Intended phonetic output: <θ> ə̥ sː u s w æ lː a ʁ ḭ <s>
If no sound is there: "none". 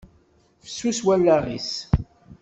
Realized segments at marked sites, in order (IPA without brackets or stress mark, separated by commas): f, s